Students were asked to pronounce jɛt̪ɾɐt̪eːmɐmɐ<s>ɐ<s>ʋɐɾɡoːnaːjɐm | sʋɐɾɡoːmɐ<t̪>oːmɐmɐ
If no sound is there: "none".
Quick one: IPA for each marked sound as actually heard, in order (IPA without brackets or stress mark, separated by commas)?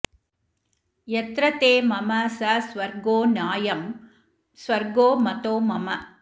s, s, t̪